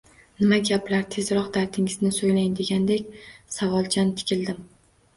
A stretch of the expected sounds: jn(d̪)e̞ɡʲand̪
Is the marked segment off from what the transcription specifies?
no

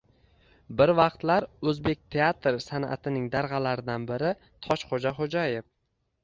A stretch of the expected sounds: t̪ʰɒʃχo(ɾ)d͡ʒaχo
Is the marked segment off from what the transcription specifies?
yes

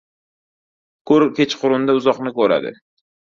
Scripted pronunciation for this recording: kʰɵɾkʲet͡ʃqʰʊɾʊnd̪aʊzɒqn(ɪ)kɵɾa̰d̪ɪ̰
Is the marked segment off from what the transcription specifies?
no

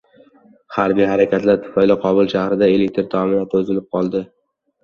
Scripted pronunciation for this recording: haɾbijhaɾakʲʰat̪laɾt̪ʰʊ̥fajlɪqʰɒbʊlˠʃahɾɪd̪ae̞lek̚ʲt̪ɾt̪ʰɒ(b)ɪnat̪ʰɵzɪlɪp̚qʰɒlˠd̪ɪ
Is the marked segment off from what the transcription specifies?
yes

